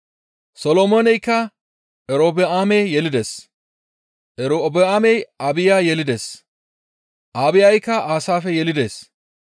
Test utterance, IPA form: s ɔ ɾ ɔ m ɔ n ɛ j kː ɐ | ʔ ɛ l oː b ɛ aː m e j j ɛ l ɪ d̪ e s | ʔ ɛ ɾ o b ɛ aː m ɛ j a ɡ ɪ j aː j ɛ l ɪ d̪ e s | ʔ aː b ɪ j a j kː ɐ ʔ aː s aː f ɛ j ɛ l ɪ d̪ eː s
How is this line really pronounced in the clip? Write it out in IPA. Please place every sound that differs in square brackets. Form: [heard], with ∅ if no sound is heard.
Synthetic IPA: s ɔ [l] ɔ m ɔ n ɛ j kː ɐ | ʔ ɛ [ɾ] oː b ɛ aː m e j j ɛ l ɪ d̪ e s | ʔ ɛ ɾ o b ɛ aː m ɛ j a [b] ɪ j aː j ɛ l ɪ d̪ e s | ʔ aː b ɪ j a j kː ɐ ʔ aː s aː f ɛ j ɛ l ɪ d̪ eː s

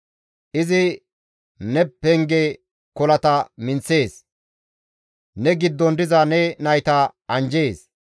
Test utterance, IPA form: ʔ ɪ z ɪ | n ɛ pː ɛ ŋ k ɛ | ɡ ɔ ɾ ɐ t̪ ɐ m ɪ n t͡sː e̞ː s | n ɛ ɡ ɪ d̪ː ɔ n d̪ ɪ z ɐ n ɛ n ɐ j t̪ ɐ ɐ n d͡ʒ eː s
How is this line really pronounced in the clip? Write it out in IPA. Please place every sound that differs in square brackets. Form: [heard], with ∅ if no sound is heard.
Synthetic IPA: ʔ ɪ z ɪ | n ɛ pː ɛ ŋ [ɡ] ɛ | [k] ɔ [l] ɐ t̪ ɐ m ɪ n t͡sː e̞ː s | n ɛ ɡ ɪ d̪ː ɔ n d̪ ɪ z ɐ n ɛ n ɐ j t̪ ɐ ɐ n d͡ʒ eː s

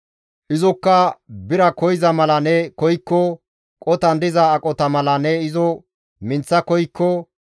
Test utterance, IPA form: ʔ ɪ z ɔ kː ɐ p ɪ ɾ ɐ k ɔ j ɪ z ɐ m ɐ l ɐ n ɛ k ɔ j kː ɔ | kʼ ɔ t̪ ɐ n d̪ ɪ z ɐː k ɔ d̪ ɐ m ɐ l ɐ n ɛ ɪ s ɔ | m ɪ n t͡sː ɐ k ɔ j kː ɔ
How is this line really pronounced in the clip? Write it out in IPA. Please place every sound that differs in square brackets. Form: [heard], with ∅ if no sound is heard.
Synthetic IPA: ʔ ɪ z ɔ kː ɐ [b] ɪ ɾ ɐ k ɔ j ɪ z ɐ m ɐ l ɐ n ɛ k ɔ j kː ɔ | kʼ ɔ t̪ ɐ n d̪ ɪ z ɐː [kʼ] ɔ [t̪] ɐ m ɐ l ɐ n ɛ ɪ [z] ɔ | m ɪ n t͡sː ɐ k ɔ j kː ɔ

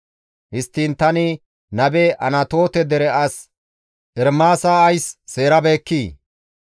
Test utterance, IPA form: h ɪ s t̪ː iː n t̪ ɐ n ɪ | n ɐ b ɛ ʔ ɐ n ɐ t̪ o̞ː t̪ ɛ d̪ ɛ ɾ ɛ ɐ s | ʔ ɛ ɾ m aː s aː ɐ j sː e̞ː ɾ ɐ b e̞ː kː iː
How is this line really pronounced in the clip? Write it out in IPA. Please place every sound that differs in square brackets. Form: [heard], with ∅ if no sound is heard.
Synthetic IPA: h ɪ s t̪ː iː n t̪ ɐ n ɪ | n ɐ b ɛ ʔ ɐ n ɐ t̪ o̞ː t̪ ɛ d̪ ɛ ɾ ɛ ɐ s | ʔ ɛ ɾ m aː s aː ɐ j sː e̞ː ɾ ɐ b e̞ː kː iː

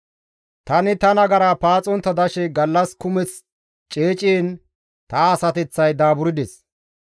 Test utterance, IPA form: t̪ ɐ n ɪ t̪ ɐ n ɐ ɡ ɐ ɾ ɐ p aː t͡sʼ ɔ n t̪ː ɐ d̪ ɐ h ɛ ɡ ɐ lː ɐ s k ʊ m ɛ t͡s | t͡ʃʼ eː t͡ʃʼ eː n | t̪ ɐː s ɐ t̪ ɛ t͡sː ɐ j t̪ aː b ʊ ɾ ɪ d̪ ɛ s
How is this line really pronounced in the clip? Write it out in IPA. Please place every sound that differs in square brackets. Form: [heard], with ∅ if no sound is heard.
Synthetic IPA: t̪ ɐ n ɪ t̪ ɐ n ɐ ɡ ɐ ɾ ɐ p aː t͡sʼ ɔ n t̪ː ɐ d̪ ɐ [ʃ] ɛ ɡ ɐ lː ɐ s k ʊ m ɛ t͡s | t͡ʃʼ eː t͡ʃʼ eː n | t̪ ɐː s ɐ t̪ ɛ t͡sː ɐ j [d̪] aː b ʊ ɾ ɪ d̪ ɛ s

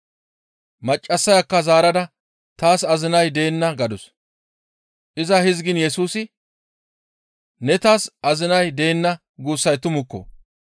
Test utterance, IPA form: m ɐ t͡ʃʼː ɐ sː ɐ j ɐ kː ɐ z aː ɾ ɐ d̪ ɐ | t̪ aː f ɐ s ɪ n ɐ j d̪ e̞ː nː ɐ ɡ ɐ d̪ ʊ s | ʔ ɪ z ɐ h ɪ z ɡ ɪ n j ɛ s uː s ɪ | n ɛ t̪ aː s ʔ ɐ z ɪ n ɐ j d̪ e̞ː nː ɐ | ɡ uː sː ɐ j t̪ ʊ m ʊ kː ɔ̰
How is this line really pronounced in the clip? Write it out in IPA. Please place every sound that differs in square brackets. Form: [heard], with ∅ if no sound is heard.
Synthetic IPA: m ɐ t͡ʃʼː ɐ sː ɐ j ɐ kː ɐ z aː ɾ ɐ d̪ ɐ | t̪ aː [s] ɐ [z] ɪ n ɐ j d̪ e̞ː nː ɐ ɡ ɐ d̪ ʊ s | ʔ ɪ z ɐ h ɪ z ɡ ɪ n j ɛ s uː s ɪ | n ɛ t̪ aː s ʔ ɐ z ɪ n ɐ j d̪ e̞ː nː ɐ | ɡ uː sː ɐ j t̪ ʊ m ʊ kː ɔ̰

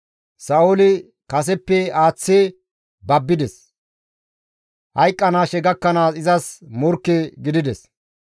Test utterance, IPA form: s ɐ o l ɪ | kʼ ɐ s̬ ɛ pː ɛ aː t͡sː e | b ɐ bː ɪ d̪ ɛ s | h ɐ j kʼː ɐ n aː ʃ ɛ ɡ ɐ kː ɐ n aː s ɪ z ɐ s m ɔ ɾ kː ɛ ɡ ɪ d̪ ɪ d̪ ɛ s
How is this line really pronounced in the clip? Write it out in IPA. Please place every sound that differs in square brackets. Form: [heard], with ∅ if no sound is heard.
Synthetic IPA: s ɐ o l ɪ | [k] ɐ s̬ ɛ pː ɛ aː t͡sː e | b ɐ bː ɪ d̪ ɛ s | h ɐ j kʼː ɐ n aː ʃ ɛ ɡ ɐ kː ɐ n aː s ɪ z ɐ s m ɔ ɾ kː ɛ ɡ ɪ d̪ ɪ d̪ ɛ s

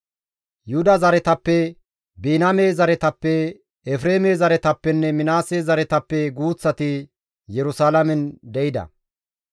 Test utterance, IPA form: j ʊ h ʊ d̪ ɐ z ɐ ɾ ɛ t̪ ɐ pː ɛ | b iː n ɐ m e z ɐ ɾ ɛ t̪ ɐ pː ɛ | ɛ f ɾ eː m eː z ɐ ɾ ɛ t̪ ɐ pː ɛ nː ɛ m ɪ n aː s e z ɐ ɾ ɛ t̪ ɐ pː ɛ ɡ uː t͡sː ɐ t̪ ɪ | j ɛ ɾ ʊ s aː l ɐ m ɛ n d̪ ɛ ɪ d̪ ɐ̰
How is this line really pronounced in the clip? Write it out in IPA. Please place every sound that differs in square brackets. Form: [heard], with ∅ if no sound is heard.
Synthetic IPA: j ʊ h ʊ d̪ ɐ z ɐ ɾ ɛ t̪ ɐ pː ɛ | b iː n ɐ m e z ɐ ɾ ɛ t̪ ɐ pː ɛ | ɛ f ɾ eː m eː z ɐ ɾ ɛ t̪ ɐ pː ɛ nː ɛ m ɪ n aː s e z ɐ ɾ ɛ t̪ ɐ pː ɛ ɡ uː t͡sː ɐ t̪ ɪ | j ɛ ɾ ʊ s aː l ɐ m ɛ n d̪ ɛ ɪ d̪ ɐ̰

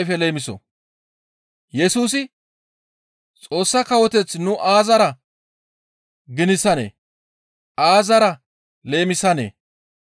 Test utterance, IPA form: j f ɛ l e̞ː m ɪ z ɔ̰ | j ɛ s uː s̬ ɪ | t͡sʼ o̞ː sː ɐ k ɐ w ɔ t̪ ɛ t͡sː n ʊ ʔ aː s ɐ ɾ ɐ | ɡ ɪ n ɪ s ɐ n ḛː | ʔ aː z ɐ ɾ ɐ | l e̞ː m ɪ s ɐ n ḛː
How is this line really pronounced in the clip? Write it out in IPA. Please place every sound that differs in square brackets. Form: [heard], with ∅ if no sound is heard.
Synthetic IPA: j f ɛ l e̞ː m ɪ [s] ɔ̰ | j ɛ s uː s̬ ɪ | t͡sʼ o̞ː sː ɐ k ɐ w ɔ t̪ ɛ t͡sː n ʊ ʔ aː [z] ɐ ɾ ɐ | ɡ ɪ n ɪ s ɐ n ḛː | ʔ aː z ɐ ɾ ɐ | l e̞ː m ɪ s ɐ n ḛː

